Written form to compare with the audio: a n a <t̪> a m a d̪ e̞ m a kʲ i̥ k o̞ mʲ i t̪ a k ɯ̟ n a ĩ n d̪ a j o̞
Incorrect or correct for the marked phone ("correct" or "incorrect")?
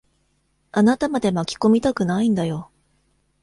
correct